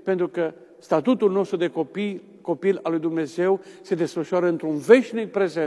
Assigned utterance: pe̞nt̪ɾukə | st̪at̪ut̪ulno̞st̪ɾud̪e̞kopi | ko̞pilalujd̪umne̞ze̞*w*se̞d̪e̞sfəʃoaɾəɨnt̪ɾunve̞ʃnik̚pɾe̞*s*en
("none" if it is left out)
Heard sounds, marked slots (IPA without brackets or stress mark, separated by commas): w, z